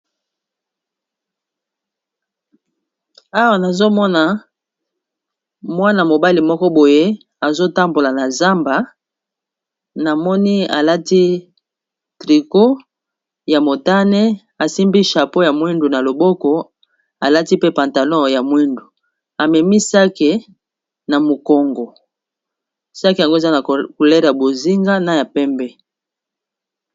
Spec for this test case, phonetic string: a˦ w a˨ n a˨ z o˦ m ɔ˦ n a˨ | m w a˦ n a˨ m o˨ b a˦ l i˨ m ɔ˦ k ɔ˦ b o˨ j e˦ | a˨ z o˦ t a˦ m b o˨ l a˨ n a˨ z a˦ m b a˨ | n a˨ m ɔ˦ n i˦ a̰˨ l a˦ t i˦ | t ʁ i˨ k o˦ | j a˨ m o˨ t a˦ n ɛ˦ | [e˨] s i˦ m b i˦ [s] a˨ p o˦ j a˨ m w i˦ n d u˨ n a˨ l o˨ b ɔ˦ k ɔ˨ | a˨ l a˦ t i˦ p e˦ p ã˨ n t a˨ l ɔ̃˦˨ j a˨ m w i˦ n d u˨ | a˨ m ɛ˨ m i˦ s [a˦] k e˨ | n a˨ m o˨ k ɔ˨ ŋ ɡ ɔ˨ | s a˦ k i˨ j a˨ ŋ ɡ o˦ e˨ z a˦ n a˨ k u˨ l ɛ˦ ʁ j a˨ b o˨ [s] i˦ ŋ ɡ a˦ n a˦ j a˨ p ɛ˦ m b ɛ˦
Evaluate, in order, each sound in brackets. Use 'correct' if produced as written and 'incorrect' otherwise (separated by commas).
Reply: incorrect, incorrect, correct, incorrect